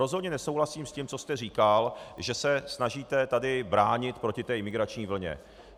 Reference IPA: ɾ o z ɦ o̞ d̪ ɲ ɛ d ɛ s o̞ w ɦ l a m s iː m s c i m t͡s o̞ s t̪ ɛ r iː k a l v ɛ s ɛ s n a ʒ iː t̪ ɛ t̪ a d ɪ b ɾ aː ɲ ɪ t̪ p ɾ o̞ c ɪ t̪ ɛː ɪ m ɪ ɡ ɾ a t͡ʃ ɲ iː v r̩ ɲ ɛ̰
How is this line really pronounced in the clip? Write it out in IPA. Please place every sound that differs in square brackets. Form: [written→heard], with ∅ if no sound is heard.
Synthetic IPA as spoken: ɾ o z ɦ o̞ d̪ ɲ ɛ [d→n] ɛ s o̞ w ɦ l a [m→∅] s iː m s c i m t͡s o̞ s t̪ ɛ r iː k a l [v→ʒ] ɛ s ɛ s n a ʒ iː t̪ ɛ t̪ a d ɪ b ɾ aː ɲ ɪ t̪ p ɾ o̞ c ɪ t̪ ɛː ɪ m ɪ ɡ ɾ a t͡ʃ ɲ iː v [r̩→l̩] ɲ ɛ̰